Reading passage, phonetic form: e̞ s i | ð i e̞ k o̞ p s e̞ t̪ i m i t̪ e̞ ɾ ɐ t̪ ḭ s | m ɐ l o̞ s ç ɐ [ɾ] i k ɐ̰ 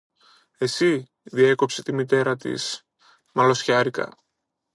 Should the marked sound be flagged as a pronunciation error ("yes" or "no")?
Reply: no